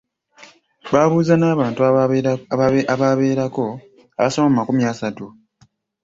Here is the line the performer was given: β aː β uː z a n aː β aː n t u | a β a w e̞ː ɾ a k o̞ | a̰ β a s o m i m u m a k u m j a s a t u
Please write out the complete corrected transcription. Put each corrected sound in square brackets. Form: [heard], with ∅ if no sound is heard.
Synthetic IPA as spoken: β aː β uː z a n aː β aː n t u | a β a [β] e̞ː ɾ a k o̞ | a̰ β a s o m [a] m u m a k u m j a s a t u

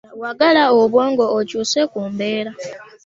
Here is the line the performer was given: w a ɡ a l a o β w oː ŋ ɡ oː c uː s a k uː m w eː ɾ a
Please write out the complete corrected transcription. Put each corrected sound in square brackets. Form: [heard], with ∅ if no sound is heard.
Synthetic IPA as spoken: w a ɡ a l a o β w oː ŋ ɡ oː c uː s [e] k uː m [b] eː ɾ a

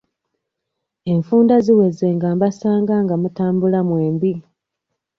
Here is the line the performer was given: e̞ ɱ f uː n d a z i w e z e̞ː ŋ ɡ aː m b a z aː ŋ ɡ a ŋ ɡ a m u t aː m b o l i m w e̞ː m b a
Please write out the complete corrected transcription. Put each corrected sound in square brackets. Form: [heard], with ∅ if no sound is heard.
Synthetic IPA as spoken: e̞ ɱ f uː n d a z i w e z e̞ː ŋ ɡ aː m b a [s] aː ŋ ɡ a ŋ ɡ a m u t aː m b [u] l [a] m w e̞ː m b [i]

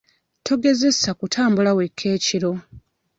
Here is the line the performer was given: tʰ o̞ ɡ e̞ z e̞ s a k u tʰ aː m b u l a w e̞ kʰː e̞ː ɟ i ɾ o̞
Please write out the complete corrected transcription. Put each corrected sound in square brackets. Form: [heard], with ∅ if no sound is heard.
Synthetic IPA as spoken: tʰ o̞ ɡ e̞ z e̞ s a k u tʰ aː m b u l a w e̞ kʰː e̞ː [c] i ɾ o̞

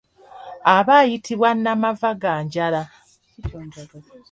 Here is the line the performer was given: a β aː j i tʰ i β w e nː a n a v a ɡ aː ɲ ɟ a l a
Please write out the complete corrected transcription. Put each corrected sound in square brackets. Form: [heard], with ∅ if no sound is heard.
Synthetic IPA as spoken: a β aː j i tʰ i β w [a] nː a [m] a v a ɡ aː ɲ ɟ a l a

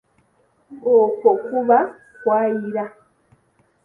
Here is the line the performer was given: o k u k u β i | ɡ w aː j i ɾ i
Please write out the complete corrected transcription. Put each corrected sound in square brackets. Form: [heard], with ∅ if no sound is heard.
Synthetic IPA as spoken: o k [o] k u β [a] | [k] w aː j i ɾ [a]

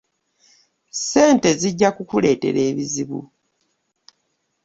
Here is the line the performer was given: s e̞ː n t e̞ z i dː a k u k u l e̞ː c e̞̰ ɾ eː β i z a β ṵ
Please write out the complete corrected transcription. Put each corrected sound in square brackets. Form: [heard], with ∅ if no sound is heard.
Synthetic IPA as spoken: s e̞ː n t e̞ z i [ɟː] a k u k u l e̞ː [t] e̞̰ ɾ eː β i z [i] β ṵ

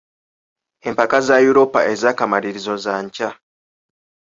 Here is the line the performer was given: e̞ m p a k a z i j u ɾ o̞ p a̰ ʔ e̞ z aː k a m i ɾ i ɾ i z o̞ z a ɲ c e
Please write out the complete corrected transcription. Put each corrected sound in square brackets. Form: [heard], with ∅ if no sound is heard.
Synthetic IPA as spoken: e̞ m p a k a z [a] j u ɾ o̞ p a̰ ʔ e̞ z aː k a m [a] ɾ i ɾ i z o̞ z a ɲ c [a]

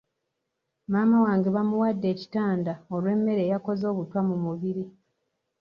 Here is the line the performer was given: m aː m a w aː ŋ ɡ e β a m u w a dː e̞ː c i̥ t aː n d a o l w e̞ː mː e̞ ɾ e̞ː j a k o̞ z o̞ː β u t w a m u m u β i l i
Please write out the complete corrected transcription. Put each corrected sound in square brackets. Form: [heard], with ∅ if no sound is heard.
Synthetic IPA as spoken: m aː m a w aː ŋ ɡ e β a m u w a dː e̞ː c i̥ t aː n d a o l w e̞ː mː e̞ ɾ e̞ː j a k o̞ z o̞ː β u t w a m u m u β i [ɾ] i

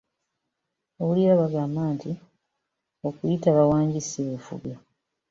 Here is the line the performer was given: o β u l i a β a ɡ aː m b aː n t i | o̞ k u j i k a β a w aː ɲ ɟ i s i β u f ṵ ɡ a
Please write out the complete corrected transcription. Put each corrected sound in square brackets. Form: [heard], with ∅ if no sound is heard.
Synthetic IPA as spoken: o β u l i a β a ɡ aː m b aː n t i | o̞ k u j i [t] a β a w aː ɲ ɟ i s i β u f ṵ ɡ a

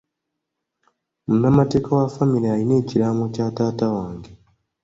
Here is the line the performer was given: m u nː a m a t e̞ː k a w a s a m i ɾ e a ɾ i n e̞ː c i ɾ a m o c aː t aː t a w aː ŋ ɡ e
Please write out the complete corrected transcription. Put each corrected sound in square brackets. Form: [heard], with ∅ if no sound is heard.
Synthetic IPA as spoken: m u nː a m a t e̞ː k a w a [f] a m i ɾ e a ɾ i n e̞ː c i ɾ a m o c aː t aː t a w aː ŋ ɡ e

